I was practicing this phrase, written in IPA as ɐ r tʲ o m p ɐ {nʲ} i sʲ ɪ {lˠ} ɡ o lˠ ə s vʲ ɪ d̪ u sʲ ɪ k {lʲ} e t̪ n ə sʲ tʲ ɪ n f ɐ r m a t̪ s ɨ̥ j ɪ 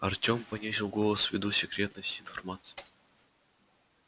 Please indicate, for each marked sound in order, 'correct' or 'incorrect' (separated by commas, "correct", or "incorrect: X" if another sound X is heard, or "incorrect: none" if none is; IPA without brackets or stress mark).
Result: correct, correct, incorrect: ɾʲ